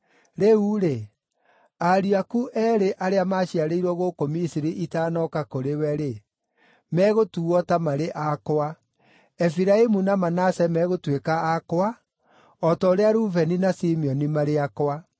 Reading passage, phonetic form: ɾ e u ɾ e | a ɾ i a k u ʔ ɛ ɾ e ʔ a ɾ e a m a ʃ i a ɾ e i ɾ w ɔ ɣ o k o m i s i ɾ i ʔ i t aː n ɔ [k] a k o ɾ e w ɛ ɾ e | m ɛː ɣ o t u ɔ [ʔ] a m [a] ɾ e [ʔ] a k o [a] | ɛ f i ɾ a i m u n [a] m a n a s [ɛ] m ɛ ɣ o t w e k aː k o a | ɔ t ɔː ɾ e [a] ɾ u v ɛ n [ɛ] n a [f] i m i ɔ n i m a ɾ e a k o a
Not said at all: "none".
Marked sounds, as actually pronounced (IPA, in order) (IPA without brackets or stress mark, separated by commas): k, t, a, ʔ, a, a, ɛ, a, i, s